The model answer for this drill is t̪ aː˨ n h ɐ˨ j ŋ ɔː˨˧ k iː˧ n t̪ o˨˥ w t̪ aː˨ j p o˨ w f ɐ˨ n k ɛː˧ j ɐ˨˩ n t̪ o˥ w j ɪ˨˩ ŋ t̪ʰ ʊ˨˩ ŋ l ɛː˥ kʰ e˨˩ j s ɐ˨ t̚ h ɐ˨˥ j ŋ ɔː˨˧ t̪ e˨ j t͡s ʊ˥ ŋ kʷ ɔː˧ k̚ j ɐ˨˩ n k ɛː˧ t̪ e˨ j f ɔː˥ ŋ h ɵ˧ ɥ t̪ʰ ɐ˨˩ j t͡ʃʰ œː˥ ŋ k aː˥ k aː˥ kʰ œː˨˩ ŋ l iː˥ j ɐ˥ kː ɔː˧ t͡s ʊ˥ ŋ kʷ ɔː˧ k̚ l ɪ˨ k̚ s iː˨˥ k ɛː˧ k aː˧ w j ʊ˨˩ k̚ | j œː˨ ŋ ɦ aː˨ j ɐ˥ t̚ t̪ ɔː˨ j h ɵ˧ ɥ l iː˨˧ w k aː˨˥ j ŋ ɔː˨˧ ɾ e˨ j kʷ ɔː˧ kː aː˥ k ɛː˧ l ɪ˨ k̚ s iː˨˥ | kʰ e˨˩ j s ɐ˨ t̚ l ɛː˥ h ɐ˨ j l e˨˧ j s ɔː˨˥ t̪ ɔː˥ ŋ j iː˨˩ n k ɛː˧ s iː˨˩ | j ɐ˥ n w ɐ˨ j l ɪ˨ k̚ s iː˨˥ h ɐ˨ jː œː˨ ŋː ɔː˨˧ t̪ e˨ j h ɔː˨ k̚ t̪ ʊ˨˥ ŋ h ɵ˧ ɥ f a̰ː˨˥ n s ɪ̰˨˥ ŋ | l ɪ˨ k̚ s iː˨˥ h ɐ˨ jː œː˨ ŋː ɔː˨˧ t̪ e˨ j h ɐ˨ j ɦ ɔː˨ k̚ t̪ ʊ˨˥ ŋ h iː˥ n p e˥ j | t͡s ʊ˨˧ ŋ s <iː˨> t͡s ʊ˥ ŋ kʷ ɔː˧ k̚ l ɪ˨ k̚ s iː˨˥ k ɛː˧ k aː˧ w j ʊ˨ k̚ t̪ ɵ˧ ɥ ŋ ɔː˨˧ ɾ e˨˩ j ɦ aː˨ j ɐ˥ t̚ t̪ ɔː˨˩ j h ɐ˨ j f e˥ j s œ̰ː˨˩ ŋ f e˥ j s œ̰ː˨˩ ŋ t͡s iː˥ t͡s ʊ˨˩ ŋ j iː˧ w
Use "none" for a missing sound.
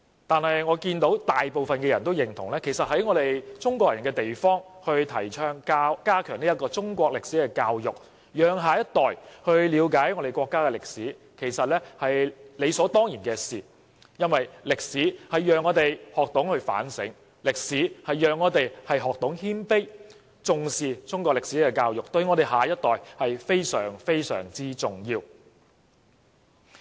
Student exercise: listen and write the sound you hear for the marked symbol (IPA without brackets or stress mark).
iː˨